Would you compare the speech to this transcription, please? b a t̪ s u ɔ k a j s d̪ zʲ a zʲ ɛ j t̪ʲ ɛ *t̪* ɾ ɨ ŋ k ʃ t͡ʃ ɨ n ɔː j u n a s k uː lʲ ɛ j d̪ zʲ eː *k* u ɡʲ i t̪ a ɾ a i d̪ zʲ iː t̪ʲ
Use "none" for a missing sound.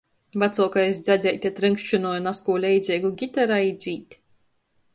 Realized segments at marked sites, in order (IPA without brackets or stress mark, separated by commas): t̪, ɡ